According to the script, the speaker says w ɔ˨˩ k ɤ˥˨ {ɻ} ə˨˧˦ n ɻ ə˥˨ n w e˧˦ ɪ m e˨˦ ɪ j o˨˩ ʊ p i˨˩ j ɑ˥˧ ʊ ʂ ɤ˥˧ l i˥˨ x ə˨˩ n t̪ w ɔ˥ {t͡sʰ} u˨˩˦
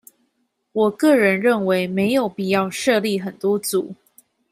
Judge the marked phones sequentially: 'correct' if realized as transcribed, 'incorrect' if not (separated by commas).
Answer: correct, incorrect